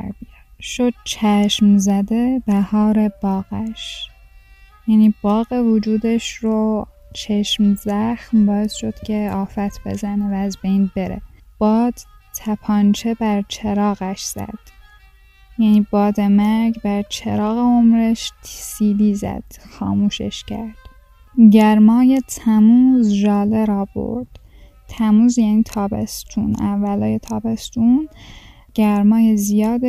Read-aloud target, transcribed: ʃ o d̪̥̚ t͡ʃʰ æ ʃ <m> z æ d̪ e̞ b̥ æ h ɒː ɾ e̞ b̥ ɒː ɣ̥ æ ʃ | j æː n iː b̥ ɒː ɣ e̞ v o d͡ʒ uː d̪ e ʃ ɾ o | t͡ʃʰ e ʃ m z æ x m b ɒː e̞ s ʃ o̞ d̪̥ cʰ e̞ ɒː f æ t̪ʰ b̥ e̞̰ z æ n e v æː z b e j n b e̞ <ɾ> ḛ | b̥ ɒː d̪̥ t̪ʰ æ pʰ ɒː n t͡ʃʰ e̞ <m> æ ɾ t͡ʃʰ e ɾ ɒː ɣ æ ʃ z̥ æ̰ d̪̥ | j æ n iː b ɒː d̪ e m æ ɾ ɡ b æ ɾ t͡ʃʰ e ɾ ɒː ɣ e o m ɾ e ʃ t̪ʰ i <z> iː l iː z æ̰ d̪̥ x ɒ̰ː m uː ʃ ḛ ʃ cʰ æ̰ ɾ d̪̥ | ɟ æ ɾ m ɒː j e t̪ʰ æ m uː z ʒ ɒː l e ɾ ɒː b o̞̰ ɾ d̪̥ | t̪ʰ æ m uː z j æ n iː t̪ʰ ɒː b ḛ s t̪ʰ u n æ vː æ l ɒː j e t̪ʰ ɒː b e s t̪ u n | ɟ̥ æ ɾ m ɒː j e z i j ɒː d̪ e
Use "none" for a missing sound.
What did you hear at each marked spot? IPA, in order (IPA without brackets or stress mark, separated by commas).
m, ɾ, b, s